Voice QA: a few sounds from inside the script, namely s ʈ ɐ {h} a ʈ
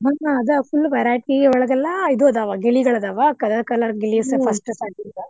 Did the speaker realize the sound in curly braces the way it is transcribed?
no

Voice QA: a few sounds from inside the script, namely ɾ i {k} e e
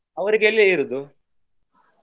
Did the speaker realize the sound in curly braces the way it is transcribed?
no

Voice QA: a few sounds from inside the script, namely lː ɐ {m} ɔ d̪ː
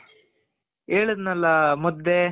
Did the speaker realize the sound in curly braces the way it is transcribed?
yes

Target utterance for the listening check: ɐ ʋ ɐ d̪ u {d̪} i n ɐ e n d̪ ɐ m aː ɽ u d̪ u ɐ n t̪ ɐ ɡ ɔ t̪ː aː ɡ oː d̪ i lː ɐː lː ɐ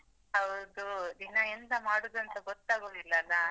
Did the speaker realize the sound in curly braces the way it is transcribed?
yes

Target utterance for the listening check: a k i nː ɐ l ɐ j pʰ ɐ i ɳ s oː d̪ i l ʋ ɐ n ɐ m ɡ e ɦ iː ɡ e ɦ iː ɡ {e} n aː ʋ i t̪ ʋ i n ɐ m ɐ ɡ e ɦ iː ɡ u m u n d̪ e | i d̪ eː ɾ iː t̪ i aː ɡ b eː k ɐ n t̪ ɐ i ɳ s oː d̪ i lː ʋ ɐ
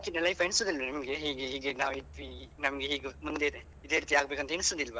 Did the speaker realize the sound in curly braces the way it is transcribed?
yes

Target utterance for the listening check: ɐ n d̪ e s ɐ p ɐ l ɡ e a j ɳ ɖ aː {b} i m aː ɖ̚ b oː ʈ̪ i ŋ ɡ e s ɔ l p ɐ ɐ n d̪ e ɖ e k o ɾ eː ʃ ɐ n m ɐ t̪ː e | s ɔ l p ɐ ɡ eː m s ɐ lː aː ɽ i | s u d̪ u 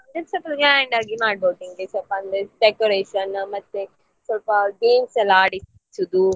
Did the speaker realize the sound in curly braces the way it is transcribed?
no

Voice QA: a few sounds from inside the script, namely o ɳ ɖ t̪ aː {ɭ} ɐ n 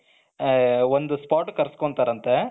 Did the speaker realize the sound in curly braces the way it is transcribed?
no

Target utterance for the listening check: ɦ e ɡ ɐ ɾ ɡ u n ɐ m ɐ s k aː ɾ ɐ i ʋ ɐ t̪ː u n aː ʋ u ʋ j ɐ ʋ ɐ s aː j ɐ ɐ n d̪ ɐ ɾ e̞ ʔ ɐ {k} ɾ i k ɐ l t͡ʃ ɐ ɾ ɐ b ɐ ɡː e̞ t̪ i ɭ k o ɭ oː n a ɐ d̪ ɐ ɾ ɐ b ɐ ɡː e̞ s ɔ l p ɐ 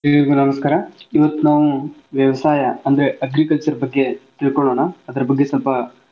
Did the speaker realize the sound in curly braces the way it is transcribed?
no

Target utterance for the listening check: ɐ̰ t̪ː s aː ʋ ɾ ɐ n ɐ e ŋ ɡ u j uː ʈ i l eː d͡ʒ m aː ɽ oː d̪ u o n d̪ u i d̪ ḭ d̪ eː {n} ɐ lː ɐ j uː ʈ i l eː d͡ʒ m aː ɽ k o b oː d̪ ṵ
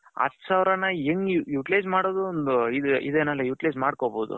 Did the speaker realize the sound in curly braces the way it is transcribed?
yes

